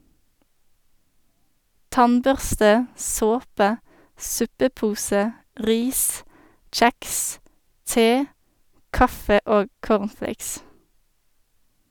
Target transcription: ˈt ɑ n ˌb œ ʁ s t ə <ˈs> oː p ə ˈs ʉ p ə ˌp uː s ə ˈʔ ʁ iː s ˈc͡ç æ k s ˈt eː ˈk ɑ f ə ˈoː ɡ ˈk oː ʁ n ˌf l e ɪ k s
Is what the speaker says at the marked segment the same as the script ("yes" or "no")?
yes